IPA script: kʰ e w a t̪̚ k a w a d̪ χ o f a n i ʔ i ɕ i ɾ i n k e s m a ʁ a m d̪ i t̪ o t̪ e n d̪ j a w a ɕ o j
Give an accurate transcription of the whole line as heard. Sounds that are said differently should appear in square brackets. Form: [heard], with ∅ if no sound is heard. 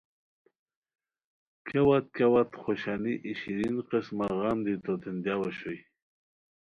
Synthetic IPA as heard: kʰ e w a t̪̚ k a w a [t̪] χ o [ɕ] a n i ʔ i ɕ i ɾ i n [q] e s m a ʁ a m d̪ i t̪ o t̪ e n d̪ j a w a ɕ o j